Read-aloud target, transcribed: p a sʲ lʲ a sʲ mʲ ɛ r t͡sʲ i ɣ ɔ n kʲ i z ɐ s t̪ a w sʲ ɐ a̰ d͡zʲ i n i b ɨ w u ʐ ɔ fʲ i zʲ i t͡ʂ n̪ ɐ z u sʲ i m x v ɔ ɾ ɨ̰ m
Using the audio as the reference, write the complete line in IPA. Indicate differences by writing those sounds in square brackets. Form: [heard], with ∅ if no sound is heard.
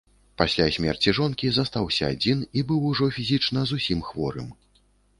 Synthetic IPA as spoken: p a sʲ lʲ a sʲ mʲ ɛ r t͡sʲ i [ʐ] ɔ n kʲ i z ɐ s t̪ a w sʲ ɐ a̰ d͡zʲ i n i b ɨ w u ʐ ɔ fʲ i zʲ i t͡ʂ n̪ ɐ z u sʲ i m x v ɔ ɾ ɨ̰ m